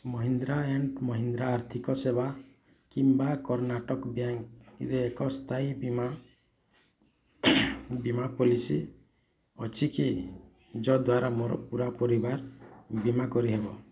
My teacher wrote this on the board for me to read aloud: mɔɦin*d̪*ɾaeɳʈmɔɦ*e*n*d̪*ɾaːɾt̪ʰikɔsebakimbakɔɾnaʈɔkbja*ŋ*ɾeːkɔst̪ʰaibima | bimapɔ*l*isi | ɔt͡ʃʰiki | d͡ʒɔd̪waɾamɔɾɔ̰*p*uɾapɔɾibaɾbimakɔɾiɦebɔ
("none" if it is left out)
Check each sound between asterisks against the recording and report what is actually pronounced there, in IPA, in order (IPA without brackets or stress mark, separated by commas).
d̪, i, d̪, ŋ, l, p